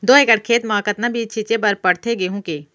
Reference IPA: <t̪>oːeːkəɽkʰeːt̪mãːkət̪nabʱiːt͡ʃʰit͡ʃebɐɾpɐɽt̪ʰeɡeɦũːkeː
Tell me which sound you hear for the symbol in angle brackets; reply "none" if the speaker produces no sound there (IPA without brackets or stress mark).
d̪